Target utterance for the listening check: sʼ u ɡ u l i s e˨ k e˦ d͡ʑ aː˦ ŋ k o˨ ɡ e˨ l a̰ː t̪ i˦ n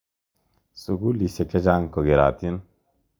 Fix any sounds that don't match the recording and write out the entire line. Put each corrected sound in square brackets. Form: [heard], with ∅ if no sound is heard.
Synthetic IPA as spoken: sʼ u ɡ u l i s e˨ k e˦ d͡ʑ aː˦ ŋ k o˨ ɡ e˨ [ɾ] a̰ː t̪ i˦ n